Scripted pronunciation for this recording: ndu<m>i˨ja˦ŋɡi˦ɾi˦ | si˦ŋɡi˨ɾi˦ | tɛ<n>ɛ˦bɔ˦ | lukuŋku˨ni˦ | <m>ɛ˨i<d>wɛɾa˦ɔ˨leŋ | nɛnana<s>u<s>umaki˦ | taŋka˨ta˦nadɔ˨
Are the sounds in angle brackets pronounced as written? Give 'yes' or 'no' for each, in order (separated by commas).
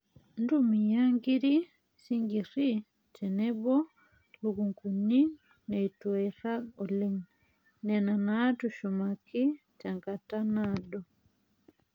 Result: yes, yes, no, no, no, no